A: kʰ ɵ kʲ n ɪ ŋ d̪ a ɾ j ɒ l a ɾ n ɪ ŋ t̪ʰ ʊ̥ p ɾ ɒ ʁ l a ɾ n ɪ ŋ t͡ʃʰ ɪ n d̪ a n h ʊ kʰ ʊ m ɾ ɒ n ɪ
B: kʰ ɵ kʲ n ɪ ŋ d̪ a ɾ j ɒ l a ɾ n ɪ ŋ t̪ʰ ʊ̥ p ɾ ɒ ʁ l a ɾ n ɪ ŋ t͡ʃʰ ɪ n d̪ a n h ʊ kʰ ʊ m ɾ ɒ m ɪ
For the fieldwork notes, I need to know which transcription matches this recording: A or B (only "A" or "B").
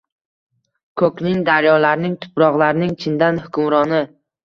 A